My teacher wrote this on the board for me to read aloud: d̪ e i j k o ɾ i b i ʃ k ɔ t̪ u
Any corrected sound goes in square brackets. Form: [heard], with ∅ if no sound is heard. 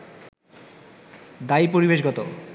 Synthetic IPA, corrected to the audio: d̪ [a] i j [p] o ɾ i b [e] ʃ [ɡ] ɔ t̪ [o]